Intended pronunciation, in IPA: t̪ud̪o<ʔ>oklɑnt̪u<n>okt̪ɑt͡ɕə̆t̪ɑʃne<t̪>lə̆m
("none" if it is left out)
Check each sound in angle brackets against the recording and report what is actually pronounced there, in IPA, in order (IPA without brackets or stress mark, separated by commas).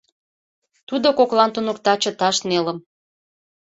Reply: k, n, none